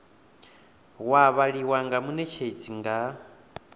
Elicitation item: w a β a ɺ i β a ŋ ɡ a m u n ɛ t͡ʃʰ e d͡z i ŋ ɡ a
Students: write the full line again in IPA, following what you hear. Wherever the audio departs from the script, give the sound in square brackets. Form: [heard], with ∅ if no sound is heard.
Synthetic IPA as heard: w a β a ɺ i [w] a ŋ ɡ a m u n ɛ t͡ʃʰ e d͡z i ŋ ɡ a